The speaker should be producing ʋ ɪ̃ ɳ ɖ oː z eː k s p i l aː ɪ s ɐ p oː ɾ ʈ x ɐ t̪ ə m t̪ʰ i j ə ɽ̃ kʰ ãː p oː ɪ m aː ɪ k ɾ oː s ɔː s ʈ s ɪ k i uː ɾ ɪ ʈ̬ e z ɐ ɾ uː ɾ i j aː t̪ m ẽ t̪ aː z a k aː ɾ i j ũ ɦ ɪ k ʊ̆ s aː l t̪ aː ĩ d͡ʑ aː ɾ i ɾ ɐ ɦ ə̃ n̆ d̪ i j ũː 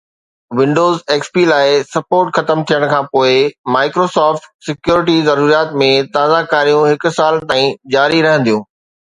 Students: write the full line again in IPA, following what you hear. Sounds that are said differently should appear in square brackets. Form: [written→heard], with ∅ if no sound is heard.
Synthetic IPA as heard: ʋ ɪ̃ ɳ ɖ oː z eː k s p i l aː ɪ s ɐ p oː ɾ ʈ x ɐ t̪ ə m t̪ʰ i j ə ɽ̃ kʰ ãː p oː ɪ m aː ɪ k ɾ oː s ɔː [s→f] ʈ s ɪ k [i→j] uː ɾ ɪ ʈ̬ [e→i] z ɐ ɾ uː ɾ i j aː t̪ m ẽ t̪ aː z a k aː ɾ i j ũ ɦ ɪ k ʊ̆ s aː l t̪ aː ĩ d͡ʑ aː ɾ i ɾ ɐ ɦ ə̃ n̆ d̪ i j ũː